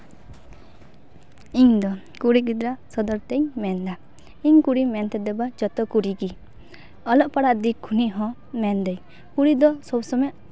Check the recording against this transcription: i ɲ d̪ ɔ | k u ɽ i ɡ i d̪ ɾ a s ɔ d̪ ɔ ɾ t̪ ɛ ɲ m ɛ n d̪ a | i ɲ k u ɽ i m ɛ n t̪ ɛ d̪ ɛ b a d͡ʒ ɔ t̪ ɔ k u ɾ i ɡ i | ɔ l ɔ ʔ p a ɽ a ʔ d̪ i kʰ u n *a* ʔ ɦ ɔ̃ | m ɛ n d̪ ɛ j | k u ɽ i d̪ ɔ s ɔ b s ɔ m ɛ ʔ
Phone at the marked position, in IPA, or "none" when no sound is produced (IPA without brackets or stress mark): i